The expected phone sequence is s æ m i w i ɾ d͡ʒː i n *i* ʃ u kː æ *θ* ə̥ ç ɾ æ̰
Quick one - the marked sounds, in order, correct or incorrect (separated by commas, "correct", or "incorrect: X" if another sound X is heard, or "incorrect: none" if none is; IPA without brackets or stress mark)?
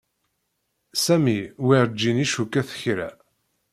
correct, correct